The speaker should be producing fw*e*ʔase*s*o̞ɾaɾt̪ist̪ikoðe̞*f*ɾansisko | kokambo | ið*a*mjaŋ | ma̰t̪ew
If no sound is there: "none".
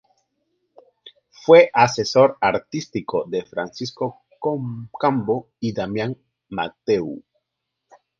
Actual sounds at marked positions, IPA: e, s, f, a

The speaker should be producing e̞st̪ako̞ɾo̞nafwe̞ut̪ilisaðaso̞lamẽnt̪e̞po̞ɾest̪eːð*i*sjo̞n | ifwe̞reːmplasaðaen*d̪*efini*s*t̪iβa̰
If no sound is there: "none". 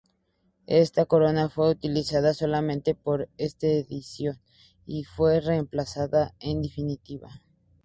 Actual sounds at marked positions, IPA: i, d̪, none

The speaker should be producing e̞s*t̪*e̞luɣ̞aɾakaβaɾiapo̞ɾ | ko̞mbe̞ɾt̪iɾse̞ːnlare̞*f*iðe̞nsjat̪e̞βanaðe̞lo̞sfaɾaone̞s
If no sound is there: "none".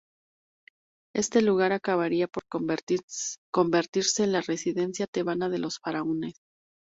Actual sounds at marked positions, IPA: t̪, s

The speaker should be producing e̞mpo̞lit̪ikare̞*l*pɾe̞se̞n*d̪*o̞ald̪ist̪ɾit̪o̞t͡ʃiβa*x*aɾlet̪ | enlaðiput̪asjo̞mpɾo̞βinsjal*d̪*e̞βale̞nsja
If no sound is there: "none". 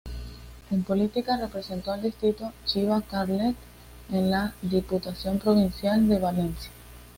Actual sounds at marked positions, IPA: none, t̪, k, d̪

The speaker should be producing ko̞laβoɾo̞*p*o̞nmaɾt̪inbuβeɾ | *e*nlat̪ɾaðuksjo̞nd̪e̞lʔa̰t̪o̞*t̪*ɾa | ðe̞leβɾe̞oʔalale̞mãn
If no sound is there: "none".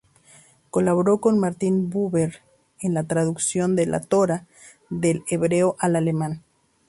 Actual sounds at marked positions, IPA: k, e, none

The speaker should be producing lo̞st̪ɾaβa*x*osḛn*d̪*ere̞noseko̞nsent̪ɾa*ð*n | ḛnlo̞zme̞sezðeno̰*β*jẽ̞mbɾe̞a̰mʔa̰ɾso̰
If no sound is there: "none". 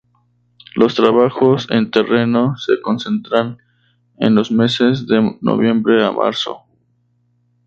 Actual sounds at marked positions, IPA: x, t̪, none, β

